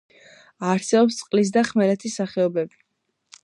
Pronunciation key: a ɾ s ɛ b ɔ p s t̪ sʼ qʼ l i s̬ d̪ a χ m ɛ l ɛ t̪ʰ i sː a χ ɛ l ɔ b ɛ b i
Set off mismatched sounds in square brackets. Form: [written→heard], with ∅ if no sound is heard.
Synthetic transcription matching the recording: a ɾ s ɛ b ɔ p s t̪ sʼ qʼ l i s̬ d̪ a χ m ɛ l ɛ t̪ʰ i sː a χ ɛ [l→∅] ɔ b ɛ b i